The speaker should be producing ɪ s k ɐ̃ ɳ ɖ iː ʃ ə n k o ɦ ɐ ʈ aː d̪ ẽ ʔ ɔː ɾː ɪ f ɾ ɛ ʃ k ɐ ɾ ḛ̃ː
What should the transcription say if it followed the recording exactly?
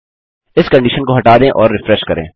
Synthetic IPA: ɪ s k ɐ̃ ɳ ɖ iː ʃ ə n k o ɦ ɐ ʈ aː d̪ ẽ ʔ ɔː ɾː ɪ f ɾ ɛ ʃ k ɐ ɾ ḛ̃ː